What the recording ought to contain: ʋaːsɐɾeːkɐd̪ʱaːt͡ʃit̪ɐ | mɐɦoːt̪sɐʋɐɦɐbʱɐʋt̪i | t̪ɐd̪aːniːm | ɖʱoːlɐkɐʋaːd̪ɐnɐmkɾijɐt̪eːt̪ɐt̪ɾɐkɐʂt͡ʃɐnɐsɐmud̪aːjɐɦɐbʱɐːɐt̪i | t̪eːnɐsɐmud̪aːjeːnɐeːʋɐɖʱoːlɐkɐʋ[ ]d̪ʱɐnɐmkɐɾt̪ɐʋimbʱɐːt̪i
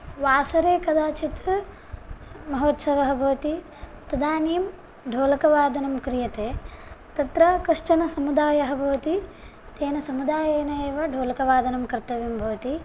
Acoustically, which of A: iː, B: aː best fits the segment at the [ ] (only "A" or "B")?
B